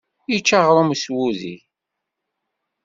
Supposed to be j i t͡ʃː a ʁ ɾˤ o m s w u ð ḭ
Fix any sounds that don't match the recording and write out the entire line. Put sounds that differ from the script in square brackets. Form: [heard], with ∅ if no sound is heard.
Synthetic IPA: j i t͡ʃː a ʁ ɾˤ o m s w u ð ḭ